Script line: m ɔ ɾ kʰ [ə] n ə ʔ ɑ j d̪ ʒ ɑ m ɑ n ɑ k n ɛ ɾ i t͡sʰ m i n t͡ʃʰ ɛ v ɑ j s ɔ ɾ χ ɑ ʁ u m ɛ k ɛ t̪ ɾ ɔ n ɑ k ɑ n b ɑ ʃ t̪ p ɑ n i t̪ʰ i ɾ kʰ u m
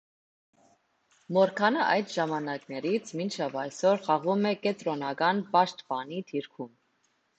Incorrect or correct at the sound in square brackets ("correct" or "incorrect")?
incorrect